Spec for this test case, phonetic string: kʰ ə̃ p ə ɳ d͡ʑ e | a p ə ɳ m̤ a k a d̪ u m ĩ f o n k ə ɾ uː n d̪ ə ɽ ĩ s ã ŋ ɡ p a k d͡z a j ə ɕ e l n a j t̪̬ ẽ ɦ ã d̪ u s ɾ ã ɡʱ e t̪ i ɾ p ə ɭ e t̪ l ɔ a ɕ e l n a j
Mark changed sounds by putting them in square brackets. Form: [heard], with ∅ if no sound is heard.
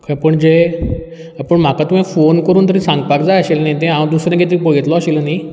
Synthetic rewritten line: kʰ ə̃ p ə ɳ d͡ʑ e | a p ə ɳ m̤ a k a [t̪] u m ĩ f o n k ə ɾ uː n [t̪] ə [ɾ] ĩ s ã ŋ ɡ p a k d͡z a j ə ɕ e l n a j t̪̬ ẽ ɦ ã d̪ u s ɾ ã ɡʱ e t̪ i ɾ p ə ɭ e t̪ l ɔ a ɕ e l n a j